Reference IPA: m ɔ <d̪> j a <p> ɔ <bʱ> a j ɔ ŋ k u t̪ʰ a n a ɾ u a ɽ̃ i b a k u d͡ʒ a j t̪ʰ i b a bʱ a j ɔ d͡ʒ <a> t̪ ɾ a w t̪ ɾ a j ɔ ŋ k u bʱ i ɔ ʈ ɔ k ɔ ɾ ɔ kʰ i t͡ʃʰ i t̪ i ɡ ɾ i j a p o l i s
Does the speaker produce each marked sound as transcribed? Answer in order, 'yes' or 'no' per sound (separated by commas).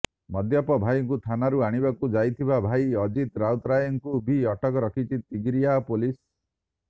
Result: yes, yes, yes, no